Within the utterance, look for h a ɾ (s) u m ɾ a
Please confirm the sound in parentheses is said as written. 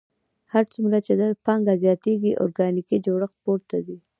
no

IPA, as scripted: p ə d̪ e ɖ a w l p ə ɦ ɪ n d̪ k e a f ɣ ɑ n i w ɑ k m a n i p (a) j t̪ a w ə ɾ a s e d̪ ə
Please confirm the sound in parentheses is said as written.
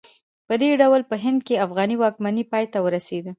no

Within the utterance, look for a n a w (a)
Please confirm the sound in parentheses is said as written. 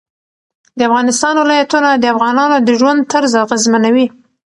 no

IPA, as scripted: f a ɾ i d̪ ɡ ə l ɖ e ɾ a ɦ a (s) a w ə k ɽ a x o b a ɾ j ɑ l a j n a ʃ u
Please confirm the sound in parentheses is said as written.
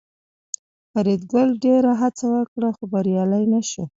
no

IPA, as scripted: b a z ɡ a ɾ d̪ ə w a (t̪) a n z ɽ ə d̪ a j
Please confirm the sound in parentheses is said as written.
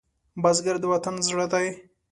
yes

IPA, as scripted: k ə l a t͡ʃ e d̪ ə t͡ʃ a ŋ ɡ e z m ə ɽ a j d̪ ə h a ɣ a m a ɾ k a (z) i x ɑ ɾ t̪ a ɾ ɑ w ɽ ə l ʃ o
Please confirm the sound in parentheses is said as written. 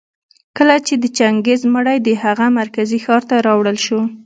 yes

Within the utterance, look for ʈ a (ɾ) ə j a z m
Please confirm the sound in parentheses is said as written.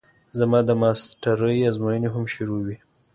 yes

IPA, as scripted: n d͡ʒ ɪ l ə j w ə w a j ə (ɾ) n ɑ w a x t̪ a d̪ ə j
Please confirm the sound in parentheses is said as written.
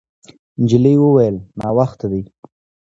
no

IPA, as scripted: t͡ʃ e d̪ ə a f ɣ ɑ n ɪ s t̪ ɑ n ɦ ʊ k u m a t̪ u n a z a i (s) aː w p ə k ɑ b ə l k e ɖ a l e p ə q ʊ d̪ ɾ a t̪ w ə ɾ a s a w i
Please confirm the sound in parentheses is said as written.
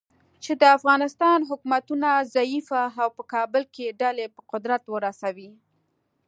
no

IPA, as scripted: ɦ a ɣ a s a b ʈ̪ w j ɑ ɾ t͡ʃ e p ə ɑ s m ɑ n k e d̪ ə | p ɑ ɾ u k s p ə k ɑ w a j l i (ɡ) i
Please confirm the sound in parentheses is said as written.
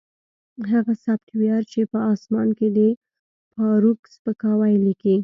no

